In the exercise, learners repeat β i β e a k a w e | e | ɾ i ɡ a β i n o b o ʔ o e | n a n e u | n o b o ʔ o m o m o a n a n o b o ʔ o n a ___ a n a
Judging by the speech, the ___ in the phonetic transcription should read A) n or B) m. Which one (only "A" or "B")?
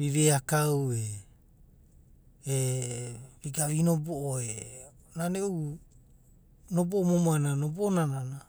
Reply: A